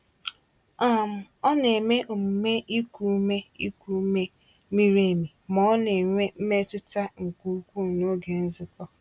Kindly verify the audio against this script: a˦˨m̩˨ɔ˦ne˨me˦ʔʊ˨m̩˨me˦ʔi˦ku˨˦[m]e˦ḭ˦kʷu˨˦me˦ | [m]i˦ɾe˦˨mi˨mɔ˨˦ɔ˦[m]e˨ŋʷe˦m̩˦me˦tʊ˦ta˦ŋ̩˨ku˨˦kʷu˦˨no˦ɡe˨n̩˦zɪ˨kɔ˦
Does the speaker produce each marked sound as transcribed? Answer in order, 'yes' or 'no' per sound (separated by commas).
yes, yes, no